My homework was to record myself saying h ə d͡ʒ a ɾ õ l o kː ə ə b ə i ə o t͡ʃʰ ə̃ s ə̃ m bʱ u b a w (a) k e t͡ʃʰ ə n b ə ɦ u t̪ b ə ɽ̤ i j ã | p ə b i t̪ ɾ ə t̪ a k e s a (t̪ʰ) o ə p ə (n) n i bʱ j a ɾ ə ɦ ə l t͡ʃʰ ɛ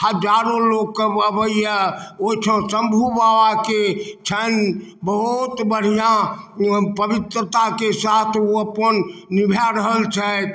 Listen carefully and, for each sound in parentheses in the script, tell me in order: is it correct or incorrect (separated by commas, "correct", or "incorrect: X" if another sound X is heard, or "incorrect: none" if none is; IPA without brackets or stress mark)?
correct, correct, correct